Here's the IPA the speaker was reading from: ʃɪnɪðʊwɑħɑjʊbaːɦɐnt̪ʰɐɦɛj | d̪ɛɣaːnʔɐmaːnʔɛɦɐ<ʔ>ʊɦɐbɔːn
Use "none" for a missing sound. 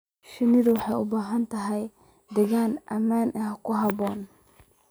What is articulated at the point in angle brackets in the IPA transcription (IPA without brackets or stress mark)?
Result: k